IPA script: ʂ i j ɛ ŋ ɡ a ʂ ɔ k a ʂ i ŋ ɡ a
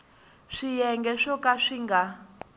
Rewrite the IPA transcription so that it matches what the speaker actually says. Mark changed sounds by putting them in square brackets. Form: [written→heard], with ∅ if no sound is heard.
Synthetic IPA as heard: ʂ i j ɛ ŋ ɡ [a→ɛ] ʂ ɔ k a ʂ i ŋ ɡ a